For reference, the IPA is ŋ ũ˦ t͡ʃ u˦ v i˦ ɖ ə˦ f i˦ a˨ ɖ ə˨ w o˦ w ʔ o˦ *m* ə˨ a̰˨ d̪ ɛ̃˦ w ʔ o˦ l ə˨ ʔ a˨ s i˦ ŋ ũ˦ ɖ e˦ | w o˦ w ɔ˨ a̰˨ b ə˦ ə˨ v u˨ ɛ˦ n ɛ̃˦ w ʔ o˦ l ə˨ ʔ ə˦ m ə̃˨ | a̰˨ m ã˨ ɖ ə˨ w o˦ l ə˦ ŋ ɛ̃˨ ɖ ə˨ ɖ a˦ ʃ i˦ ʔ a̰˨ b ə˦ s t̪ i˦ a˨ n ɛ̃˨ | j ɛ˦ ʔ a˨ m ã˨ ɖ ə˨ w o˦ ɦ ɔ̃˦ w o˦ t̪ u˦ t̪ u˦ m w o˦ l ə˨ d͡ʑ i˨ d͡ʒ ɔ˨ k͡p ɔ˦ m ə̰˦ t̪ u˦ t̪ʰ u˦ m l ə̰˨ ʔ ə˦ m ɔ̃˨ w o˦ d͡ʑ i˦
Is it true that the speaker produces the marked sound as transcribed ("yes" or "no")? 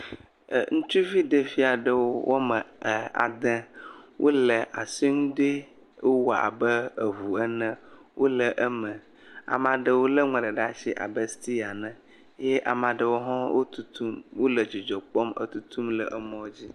yes